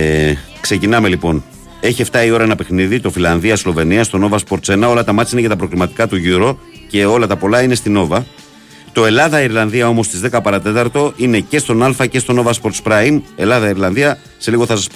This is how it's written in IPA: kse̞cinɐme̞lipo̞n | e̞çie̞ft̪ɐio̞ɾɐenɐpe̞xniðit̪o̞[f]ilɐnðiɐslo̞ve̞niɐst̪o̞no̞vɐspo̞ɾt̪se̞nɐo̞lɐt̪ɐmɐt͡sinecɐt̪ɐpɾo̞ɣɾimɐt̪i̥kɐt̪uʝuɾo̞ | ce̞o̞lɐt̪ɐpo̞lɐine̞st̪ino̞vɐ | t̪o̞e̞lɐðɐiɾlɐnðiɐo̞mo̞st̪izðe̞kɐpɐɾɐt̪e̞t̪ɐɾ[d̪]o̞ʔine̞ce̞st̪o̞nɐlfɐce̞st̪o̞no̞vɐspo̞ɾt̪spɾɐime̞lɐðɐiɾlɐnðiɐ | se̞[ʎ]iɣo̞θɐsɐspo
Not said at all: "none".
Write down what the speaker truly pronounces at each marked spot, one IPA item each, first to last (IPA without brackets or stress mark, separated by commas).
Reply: f, t̪, l